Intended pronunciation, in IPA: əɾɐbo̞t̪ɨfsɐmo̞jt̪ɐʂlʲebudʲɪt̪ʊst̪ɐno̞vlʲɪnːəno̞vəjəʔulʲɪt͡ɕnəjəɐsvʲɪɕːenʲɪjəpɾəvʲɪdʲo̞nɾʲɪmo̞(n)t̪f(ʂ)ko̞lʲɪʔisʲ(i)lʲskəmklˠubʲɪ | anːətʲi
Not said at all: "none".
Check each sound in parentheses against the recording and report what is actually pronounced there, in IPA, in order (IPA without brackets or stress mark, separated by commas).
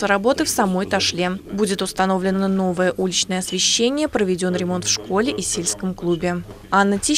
n, ʂ, e